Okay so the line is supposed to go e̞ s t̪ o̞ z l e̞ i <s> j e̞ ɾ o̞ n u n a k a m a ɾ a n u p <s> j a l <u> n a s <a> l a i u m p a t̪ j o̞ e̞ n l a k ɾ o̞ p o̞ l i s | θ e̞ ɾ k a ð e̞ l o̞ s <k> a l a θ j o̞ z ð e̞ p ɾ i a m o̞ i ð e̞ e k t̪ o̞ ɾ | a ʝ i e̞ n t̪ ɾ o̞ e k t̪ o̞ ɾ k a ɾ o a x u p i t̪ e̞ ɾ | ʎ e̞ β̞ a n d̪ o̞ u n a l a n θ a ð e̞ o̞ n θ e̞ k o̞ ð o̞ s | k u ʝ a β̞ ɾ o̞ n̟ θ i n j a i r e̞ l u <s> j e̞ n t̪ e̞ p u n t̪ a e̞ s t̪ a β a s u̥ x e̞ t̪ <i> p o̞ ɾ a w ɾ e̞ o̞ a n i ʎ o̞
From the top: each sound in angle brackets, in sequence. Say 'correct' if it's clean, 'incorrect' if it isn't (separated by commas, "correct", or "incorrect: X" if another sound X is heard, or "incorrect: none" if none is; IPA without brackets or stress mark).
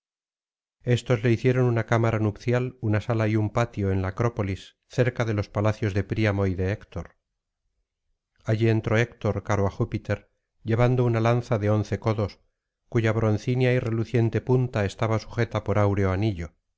incorrect: θ, incorrect: θ, correct, correct, incorrect: p, incorrect: θ, incorrect: a